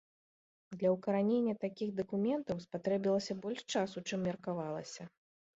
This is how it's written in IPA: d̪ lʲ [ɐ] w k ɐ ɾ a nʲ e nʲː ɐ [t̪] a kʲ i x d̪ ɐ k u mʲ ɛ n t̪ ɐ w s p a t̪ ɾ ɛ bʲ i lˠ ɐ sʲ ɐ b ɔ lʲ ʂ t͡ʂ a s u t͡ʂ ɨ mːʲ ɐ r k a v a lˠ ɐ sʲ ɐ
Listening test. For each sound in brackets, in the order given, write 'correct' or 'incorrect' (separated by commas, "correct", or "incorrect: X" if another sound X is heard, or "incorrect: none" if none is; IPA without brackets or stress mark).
correct, correct